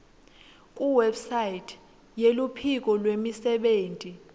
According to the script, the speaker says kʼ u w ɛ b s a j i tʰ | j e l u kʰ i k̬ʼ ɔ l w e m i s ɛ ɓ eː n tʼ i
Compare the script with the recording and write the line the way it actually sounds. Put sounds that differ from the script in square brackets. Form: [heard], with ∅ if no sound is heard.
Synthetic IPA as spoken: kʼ u w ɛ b s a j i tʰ | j e l u [pʰ] i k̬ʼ ɔ l w e m i s ɛ ɓ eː n tʼ i